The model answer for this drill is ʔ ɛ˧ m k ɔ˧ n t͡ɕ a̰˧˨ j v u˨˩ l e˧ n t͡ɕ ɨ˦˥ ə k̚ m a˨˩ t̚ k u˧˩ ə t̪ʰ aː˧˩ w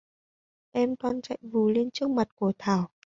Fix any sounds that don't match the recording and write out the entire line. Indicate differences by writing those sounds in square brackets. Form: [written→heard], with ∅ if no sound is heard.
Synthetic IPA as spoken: ʔ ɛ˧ m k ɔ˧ n t͡ɕ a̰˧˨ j v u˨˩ l e˧ n t͡ɕ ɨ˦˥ ə k̚ m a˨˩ t̚ k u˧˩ ə t̪ʰ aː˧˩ w